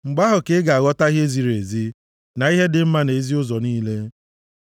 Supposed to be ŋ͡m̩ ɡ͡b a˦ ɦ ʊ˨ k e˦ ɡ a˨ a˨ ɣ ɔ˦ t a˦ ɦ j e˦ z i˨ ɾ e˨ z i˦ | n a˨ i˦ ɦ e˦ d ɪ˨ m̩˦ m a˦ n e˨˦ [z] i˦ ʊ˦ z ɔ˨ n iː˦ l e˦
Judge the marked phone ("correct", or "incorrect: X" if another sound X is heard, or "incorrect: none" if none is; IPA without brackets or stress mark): correct